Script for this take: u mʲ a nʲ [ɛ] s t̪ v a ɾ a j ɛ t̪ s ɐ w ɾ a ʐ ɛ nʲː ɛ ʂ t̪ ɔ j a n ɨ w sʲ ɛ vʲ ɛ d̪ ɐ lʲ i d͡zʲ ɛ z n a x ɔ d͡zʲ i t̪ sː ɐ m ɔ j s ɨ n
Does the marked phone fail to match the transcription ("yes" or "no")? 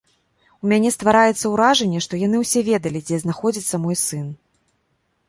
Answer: no